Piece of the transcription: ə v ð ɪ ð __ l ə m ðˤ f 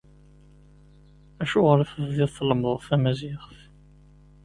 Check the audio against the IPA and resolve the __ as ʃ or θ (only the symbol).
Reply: θ